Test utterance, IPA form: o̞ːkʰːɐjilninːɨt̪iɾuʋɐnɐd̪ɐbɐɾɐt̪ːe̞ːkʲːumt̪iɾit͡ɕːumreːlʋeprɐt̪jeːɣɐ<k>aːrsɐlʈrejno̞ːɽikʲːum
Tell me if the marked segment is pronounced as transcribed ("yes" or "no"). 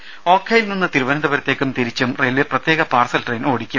no